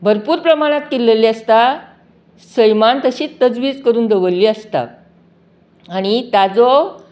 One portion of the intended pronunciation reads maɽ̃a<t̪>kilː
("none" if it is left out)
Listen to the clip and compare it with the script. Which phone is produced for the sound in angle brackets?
t̪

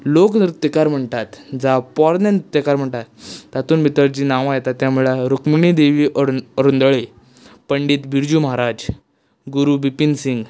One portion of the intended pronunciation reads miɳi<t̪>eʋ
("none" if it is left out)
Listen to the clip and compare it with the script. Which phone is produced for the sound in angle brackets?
d̪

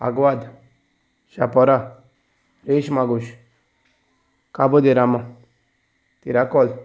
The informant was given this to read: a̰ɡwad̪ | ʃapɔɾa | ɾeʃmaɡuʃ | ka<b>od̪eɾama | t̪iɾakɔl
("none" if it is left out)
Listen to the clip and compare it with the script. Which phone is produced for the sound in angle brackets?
b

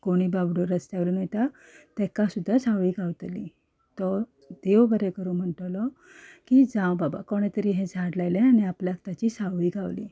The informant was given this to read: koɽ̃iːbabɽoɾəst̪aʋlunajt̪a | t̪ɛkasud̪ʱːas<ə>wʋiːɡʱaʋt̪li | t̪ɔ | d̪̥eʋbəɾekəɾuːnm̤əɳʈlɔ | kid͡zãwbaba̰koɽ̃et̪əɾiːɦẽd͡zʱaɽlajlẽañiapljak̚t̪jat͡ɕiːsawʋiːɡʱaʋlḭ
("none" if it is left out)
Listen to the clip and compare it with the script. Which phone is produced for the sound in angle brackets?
a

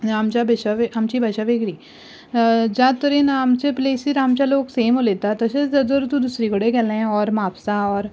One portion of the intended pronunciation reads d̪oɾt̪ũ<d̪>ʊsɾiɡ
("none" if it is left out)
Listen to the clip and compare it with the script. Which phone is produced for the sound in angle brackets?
d̪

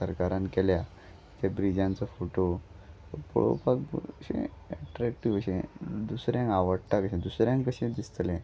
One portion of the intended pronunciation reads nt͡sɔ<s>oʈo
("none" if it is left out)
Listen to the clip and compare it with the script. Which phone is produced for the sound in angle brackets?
f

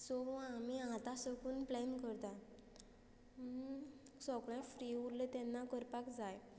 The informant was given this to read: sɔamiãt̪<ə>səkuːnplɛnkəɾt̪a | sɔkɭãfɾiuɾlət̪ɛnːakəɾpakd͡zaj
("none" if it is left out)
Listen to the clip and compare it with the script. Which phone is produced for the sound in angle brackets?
a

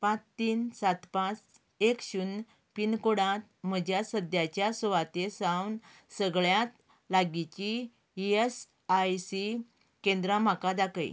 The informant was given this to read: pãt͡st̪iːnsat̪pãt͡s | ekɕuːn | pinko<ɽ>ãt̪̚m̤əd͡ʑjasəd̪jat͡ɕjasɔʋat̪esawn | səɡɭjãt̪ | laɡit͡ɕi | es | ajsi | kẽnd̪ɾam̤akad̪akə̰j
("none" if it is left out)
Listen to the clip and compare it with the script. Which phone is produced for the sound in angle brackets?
ɽ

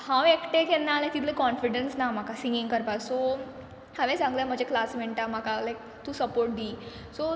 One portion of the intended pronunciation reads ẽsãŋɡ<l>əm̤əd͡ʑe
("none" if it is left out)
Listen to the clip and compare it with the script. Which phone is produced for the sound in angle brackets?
l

